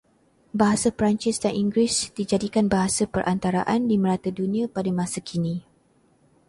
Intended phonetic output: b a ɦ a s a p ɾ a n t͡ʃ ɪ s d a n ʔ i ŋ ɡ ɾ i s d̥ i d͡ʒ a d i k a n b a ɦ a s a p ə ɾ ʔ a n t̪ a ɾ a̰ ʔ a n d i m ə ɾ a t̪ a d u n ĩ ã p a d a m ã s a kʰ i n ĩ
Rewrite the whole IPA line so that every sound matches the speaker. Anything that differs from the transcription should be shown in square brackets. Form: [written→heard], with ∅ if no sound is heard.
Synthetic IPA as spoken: b a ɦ a s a p ɾ a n t͡ʃ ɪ s d a n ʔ i ŋ ɡ ɾ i s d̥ i d͡ʒ a d i k a n b a ɦ a s a p ə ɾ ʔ a n t̪ a ɾ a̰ ʔ a n d i m ə ɾ a t̪ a d u n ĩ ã p a d a m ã s a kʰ i n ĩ

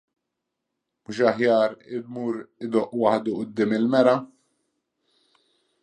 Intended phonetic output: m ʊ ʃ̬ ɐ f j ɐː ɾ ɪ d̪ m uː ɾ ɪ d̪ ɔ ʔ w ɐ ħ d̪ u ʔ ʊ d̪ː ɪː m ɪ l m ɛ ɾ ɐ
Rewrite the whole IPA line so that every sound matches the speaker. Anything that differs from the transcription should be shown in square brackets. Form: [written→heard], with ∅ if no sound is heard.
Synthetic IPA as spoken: m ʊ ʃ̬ ɐ [f→ħ] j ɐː ɾ ɪ d̪ m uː ɾ ɪ d̪ ɔ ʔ w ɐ ħ d̪ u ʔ ʊ d̪ː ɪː m ɪ l m ɛ ɾ ɐ

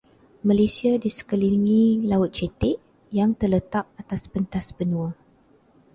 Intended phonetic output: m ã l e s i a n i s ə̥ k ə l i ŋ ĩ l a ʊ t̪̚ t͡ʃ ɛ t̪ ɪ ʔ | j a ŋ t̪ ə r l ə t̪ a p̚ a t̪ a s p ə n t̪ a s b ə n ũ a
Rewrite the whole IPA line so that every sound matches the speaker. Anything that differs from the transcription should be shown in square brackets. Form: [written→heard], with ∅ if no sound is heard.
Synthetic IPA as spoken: m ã l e s i a [n→d] i s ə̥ k ə l i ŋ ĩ l a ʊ t̪̚ t͡ʃ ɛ t̪ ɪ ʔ | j a ŋ t̪ ə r l ə t̪ a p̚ a t̪ a s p ə n t̪ a s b ə n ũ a

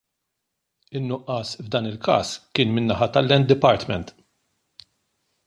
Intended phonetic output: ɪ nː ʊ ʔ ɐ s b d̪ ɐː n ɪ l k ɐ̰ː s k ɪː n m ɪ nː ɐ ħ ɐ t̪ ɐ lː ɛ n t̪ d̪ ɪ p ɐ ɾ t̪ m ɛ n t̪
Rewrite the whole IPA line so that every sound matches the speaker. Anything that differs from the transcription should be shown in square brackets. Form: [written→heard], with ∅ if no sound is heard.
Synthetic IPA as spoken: ɪ nː ʊ ʔ ɐ s [b→v] d̪ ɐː n ɪ l k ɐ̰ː s k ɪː n m ɪ nː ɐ ħ ɐ t̪ ɐ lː ɛ n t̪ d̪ ɪ p ɐ ɾ t̪ m ɛ n t̪

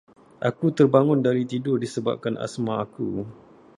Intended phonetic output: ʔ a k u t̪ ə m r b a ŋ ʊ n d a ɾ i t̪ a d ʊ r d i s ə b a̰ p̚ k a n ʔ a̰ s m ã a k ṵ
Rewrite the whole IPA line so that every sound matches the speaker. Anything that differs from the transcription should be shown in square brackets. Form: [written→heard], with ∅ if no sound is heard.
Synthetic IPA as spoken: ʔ a k u t̪ ə [m→∅] r b a ŋ ʊ n d a ɾ i t̪ [a→i] d ʊ r d i s ə b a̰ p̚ k a n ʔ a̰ s m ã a k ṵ

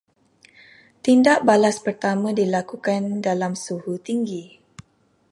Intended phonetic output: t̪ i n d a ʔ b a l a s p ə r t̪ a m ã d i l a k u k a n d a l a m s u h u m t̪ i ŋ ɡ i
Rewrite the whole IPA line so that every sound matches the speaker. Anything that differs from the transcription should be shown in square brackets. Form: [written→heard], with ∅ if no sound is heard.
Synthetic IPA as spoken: t̪ i n d a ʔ b a l a s p ə r t̪ a m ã d i l a k u k a n d a l a m s u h u [m→∅] t̪ i ŋ ɡ i

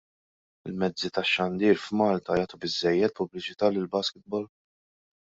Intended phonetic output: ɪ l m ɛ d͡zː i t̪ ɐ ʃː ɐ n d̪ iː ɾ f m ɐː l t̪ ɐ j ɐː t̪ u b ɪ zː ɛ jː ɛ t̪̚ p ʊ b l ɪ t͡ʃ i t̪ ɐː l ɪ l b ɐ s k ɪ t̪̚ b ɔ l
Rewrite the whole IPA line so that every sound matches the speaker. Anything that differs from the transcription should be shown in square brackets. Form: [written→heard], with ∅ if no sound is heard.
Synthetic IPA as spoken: ɪ l m ɛ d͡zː i t̪ ɐ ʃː ɐ n d̪ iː ɾ f m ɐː l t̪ ɐ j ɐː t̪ u b ɪ zː ɛ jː ɛ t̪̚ p ʊ b l ɪ t͡ʃ [i→ɪ] t̪ ɐː l ɪ l b ɐ s k ɪ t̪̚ b ɔ l

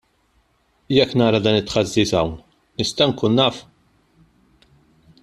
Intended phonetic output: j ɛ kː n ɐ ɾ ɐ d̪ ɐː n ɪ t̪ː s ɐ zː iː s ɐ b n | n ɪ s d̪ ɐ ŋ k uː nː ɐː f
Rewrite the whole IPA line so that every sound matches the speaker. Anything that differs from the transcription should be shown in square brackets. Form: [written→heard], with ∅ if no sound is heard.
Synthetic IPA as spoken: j ɛ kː n [ɐ→ɐː] ɾ ɐ d̪ ɐː n ɪ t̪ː [s→ħ] ɐ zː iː s ɐ [b→w] n | n ɪ s [d̪→t̪] ɐ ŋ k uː nː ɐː f

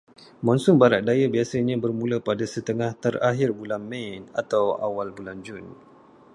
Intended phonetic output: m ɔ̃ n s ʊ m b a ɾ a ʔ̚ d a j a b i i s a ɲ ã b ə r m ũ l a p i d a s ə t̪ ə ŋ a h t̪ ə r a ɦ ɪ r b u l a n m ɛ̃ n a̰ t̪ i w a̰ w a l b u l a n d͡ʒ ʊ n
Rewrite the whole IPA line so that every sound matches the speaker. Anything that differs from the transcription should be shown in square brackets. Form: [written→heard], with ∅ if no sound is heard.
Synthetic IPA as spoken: m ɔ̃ n s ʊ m b a ɾ a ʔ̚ d a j a b i [i→a] s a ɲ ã b ə r m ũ l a p [i→a] d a s ə t̪ ə ŋ a h t̪ ə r a ɦ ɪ r b u l a n m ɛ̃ n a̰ t̪ [i→a] w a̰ w a l b u l a n d͡ʒ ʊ n

